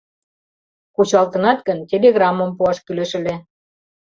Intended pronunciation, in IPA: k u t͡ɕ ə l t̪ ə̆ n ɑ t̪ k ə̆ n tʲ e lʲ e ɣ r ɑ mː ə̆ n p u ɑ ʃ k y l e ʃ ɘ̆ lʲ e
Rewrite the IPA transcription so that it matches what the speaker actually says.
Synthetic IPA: k u t͡ɕ ɑ l t̪ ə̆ n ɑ t̪ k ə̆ n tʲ e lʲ e ɣ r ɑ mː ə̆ m p u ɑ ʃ k y l e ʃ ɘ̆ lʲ e